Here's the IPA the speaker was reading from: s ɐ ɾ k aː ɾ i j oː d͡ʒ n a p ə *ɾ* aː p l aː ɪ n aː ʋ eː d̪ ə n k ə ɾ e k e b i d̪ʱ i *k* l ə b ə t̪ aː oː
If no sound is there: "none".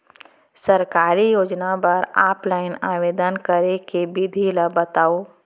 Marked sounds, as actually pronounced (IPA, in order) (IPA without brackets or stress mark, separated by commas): ɾ, none